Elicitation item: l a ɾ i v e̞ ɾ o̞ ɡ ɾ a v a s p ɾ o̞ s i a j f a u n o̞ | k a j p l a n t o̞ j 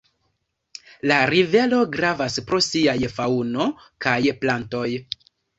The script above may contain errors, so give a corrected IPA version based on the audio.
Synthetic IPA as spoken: l a ɾ i v e̞ l o̞ ɡ ɾ a v a s p ɾ o̞ s i a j f a u n o̞ | k a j p l a n t o̞ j